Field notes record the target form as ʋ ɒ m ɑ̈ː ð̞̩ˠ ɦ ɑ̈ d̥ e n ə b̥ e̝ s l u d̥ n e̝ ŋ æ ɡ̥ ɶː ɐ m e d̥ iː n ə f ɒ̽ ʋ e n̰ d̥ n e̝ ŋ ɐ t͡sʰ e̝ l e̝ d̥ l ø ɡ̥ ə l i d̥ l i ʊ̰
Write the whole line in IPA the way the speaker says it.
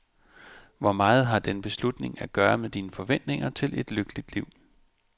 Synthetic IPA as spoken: ʋ ɒ m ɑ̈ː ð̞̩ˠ ɦ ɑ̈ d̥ e n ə b̥ e̝ s l u d̥ n e̝ ŋ æ ɡ̥ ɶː ɐ m e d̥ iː n ə f ɒ̽ ʋ e n̰ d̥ n e̝ ŋ ɐ t͡sʰ e̝ l e̝ d̥ l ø ɡ̥ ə l i d̥ l i ʊ̰